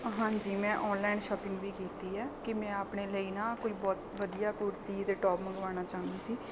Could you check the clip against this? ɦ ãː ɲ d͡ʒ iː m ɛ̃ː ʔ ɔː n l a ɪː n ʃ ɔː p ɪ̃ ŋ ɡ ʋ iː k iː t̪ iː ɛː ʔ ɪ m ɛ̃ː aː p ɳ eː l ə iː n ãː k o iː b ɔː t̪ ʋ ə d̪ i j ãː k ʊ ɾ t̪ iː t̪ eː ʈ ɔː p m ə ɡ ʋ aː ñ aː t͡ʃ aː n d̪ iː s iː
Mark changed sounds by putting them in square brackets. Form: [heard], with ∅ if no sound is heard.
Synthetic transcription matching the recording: ɦ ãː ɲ d͡ʒ iː m ɛ̃ː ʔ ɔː n l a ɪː n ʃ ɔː p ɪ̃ ŋ ɡ ʋ iː k iː t̪ iː ɛː [k] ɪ m ɛ̃ː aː p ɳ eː l ə iː n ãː k o iː b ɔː t̪ ʋ ə d̪ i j [aː] k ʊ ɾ t̪ iː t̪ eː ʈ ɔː p m ə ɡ ʋ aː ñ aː t͡ʃ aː n d̪ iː s iː